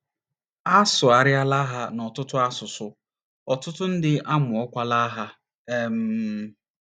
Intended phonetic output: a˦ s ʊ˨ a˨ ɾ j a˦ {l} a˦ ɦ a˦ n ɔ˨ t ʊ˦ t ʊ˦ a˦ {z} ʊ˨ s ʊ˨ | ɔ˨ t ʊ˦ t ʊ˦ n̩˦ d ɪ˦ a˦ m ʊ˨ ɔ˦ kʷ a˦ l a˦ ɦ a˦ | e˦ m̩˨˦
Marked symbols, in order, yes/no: yes, no

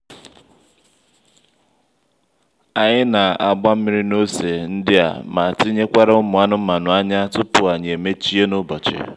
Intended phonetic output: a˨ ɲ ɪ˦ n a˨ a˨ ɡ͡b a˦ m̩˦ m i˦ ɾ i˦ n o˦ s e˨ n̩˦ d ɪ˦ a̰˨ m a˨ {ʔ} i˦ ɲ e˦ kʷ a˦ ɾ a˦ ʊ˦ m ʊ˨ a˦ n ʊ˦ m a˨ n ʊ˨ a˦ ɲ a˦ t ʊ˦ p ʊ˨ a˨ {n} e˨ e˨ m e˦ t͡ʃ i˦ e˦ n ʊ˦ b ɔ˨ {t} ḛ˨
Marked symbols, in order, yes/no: no, no, no

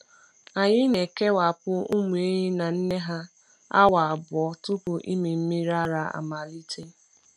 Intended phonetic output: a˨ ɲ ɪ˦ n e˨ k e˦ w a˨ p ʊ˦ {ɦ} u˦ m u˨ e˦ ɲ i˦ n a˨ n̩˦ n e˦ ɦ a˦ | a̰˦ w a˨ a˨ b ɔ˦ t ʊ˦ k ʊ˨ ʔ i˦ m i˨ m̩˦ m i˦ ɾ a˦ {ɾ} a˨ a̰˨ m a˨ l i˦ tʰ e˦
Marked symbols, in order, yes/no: no, yes

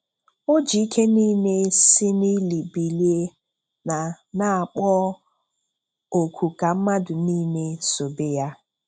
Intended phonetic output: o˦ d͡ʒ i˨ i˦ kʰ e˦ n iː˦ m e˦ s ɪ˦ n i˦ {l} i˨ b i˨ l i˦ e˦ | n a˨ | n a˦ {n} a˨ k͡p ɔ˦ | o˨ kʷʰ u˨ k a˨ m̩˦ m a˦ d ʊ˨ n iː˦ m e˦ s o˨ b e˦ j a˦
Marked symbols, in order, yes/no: yes, no

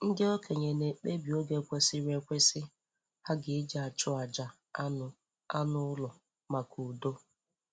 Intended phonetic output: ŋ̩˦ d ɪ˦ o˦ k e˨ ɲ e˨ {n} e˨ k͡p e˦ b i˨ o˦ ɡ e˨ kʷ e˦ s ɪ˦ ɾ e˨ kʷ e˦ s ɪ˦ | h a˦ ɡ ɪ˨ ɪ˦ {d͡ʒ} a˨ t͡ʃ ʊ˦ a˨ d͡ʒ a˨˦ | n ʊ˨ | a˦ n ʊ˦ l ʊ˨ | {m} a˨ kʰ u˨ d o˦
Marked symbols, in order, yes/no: yes, yes, yes

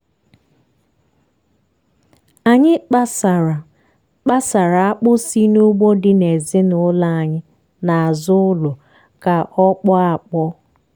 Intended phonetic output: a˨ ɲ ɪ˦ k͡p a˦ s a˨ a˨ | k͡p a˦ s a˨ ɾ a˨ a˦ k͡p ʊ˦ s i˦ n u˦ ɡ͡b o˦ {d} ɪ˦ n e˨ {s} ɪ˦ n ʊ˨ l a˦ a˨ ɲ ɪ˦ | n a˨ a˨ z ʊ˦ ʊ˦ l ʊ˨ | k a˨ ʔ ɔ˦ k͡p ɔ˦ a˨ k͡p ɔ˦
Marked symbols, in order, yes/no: yes, no

